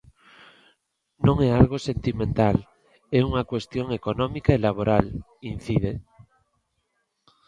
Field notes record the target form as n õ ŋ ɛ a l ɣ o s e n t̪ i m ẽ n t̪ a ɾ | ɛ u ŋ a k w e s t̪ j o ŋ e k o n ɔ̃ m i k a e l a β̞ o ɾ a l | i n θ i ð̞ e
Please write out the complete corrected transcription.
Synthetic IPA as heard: n õ ŋ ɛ a l ɣ o s e n t̪ i m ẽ n t̪ a l | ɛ u ŋ a k w e s t̪ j o ŋ e k o n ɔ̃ m i k a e l a β̞ o ɾ a l | i n θ i ð̞ e